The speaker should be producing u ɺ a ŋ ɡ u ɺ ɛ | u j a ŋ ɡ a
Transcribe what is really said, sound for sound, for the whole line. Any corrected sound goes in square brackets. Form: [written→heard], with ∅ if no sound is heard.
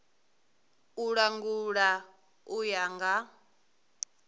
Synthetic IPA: u ɺ a ŋ ɡ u ɺ [ɛ→a] | u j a ŋ ɡ a